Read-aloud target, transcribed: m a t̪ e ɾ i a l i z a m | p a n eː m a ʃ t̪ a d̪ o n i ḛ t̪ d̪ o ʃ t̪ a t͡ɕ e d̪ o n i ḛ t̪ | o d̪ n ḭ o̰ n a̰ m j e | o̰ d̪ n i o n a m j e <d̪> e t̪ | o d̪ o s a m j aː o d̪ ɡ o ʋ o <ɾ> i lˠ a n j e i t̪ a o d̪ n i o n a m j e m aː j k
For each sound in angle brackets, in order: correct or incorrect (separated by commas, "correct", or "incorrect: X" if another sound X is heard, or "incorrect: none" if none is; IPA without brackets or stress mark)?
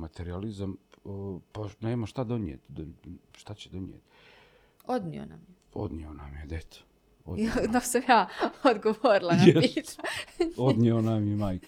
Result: correct, correct